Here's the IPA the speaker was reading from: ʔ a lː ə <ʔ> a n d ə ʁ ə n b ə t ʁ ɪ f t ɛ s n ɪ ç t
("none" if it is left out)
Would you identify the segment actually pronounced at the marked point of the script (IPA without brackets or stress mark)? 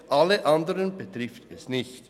ʔ